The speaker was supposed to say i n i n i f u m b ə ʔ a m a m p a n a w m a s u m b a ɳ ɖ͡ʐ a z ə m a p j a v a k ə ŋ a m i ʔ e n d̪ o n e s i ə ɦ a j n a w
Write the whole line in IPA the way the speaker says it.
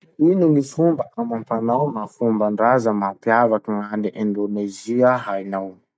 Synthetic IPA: i n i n i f u m b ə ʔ a m a m p a n a w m a f u m b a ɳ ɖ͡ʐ a z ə m a p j a v a k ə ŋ a n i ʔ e n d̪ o n e z i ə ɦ a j n a w